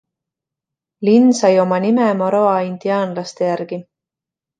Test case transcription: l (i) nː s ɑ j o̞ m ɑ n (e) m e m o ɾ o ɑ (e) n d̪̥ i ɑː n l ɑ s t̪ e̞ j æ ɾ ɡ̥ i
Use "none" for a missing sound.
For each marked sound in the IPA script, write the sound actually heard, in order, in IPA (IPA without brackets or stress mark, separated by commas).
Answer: i, i, i